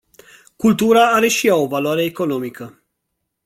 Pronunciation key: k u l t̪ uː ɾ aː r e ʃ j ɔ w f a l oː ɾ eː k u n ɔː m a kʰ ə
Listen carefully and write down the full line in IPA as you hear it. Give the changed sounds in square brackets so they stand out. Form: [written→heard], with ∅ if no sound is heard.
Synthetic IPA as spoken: k u l t̪ uː ɾ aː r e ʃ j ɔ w [f→v] a l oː ɾ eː k [u→o] n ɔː m [a→i] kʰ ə